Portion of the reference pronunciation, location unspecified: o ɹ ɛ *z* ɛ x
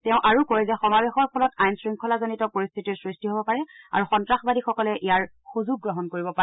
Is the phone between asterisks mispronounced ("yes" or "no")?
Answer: no